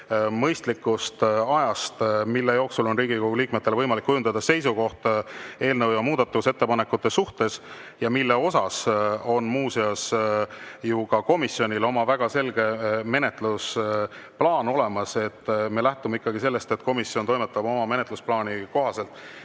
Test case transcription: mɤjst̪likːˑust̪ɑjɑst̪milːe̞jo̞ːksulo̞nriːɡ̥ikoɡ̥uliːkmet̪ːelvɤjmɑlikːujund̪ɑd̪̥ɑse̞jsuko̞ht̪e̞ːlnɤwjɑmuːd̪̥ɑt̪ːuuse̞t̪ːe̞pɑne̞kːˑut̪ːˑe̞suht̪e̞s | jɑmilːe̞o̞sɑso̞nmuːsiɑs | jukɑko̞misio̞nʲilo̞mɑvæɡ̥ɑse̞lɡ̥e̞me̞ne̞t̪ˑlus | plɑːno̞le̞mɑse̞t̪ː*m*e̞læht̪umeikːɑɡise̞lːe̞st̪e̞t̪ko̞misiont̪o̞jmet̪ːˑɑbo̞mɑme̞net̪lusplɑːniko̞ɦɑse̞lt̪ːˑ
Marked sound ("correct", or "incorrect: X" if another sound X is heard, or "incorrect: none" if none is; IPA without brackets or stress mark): correct